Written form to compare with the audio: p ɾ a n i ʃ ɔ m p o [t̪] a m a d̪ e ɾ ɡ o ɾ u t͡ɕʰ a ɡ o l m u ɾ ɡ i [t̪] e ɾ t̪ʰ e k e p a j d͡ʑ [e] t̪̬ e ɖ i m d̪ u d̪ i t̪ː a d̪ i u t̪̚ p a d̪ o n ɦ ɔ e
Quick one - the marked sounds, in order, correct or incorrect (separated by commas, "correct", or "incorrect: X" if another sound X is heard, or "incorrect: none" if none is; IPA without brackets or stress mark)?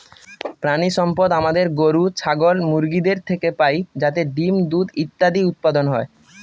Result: incorrect: d̪, incorrect: d̪, incorrect: a